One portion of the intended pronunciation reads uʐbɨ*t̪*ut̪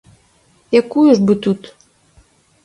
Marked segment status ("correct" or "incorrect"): correct